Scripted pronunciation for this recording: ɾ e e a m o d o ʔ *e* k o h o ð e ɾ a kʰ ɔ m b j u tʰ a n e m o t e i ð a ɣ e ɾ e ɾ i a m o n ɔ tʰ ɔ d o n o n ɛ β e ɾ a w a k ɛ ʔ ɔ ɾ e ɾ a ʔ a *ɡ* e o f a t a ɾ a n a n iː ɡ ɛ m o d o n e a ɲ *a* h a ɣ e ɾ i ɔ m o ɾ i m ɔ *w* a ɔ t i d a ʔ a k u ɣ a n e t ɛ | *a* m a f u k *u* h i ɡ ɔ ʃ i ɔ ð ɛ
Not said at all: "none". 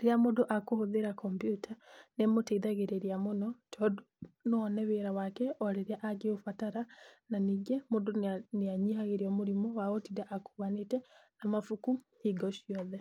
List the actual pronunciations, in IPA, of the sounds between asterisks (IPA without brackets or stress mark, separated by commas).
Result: a, ɡ, i, w, a, u